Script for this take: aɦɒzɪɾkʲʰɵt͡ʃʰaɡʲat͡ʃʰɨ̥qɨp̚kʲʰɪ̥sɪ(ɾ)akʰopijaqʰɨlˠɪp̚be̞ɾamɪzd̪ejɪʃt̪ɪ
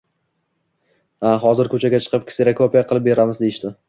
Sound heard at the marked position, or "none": ɾ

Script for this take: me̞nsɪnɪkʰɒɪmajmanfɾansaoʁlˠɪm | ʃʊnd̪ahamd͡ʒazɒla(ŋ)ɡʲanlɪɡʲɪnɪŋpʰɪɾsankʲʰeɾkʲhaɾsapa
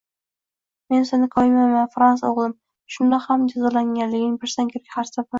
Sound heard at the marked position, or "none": ŋ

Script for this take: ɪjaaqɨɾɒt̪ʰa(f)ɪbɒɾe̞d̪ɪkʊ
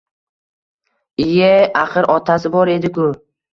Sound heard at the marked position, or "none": s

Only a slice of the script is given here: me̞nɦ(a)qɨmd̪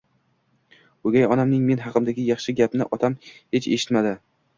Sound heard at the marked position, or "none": ɑ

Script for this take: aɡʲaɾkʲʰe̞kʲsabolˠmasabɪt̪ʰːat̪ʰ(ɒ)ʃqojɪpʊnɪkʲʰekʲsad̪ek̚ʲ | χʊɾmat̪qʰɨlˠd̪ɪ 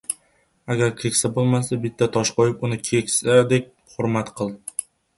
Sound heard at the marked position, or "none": ɒ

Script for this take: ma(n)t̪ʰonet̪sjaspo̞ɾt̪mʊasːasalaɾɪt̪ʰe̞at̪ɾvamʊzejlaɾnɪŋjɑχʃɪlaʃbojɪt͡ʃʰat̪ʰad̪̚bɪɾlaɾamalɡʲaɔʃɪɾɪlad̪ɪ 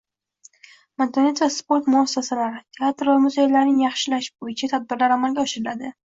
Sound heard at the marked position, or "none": n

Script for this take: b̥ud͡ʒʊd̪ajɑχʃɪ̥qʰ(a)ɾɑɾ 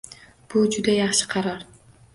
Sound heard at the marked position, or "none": ɑ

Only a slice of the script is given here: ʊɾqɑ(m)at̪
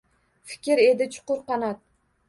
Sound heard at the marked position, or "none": n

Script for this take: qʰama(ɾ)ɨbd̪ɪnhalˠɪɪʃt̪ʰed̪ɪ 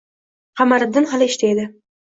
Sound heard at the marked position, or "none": ɾ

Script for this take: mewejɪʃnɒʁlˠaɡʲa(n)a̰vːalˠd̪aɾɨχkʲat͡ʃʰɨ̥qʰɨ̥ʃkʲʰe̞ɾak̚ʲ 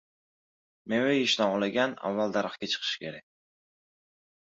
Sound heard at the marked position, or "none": n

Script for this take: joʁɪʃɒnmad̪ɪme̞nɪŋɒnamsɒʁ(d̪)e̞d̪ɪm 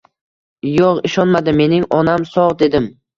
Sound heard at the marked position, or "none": d̪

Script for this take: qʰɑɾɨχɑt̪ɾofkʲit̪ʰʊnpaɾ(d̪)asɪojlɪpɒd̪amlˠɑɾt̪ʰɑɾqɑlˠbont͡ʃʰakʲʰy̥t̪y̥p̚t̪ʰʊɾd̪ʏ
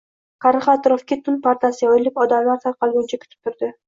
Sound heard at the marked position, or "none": t̪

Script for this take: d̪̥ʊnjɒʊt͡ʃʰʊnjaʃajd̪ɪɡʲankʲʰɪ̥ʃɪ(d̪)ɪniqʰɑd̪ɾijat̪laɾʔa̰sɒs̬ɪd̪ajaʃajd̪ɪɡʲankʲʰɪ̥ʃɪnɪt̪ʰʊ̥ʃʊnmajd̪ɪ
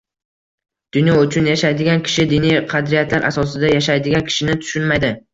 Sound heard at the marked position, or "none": d̪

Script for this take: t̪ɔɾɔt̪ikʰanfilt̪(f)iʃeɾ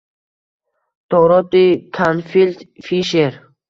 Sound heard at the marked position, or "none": f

